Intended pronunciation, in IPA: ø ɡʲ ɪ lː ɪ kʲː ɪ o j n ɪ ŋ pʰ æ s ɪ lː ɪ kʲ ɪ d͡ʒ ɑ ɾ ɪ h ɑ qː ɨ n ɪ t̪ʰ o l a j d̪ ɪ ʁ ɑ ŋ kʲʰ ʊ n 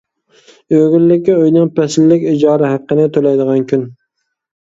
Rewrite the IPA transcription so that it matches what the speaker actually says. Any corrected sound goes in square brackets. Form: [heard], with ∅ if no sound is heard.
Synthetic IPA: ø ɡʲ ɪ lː ɪ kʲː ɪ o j n ɪ ŋ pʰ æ s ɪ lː ɪ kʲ ɪ d͡ʒ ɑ ɾ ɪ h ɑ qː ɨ n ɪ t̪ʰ o l a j d̪ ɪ ʁ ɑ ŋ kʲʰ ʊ n